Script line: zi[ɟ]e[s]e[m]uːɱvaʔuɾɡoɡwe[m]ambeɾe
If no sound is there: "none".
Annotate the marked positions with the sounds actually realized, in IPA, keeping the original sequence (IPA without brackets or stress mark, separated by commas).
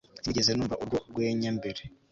ɟ, z, n, ɲ